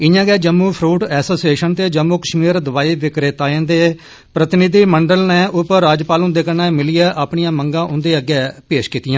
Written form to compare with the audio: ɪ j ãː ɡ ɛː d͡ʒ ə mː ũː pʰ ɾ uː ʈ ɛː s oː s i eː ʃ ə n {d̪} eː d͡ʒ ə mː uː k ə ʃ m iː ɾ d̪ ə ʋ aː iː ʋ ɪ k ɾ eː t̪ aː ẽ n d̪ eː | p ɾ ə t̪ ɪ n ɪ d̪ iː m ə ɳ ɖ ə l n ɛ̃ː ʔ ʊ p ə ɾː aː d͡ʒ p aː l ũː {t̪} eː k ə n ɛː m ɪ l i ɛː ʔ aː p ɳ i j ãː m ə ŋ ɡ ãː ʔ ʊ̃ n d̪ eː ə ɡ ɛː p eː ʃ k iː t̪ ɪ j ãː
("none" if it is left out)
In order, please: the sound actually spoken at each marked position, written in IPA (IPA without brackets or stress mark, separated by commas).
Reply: t̪, d̪